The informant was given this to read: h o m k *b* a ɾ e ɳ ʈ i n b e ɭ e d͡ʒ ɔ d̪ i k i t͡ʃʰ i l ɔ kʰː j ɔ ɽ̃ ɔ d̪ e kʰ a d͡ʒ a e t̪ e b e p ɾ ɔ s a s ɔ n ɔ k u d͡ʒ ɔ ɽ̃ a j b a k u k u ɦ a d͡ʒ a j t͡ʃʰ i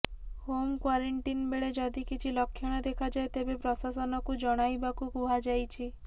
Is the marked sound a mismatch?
yes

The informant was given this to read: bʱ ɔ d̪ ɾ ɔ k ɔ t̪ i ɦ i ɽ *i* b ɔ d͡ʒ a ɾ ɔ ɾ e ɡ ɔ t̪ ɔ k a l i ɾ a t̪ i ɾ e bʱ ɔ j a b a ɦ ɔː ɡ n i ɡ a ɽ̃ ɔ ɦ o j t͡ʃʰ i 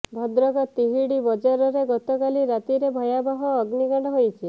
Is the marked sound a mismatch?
no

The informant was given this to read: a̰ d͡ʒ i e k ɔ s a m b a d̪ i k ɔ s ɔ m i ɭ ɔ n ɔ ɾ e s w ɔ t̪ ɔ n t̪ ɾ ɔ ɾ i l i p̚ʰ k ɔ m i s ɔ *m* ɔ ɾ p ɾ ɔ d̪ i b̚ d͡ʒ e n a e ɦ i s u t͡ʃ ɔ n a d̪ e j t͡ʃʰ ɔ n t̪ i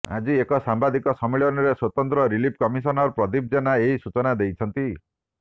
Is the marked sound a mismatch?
yes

